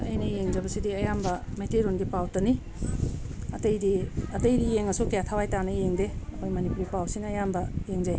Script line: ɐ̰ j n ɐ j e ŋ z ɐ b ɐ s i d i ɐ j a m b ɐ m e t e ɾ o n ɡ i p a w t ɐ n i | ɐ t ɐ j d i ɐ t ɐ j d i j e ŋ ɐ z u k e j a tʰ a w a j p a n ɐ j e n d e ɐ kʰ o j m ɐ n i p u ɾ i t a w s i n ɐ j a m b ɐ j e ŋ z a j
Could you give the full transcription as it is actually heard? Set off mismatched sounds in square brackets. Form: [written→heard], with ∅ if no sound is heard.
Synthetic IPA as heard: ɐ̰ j n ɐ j e ŋ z ɐ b ɐ s i d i ɐ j a m b ɐ m e t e ɾ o n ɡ i p a w t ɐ n i | ɐ t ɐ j d i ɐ t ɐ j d i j e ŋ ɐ [z→s] u k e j a tʰ a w a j [p→t] a n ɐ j e [n→ŋ] d e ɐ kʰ o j m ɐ n i p u ɾ i [t→p] a w s i n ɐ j a m b ɐ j e ŋ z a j